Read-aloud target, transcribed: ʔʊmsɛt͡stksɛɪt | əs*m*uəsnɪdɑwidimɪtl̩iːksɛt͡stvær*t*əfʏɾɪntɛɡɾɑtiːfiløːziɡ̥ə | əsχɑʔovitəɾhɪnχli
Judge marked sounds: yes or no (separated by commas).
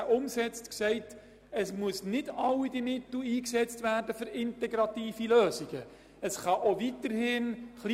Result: yes, no